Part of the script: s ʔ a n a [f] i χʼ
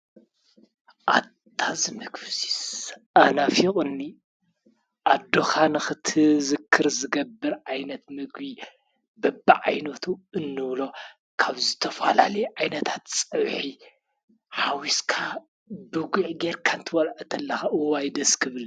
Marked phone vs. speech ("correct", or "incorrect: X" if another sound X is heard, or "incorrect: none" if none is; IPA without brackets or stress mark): correct